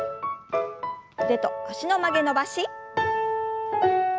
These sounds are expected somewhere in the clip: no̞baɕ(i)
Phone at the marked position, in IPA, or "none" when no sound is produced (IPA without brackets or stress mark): i